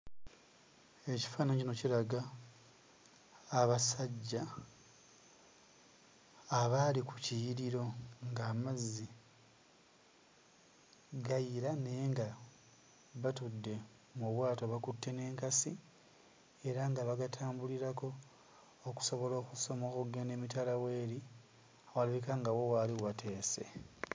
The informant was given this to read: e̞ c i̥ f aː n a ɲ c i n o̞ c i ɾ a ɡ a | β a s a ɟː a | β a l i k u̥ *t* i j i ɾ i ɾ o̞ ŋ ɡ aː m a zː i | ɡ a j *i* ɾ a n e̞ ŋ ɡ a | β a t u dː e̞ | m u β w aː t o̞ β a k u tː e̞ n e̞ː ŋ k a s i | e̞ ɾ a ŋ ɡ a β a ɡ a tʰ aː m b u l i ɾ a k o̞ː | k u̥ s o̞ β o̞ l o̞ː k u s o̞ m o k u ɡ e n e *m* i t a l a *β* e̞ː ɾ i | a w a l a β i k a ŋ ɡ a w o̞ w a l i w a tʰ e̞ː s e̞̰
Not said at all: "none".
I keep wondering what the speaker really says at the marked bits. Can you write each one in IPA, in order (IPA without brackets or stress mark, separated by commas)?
c, i, m, w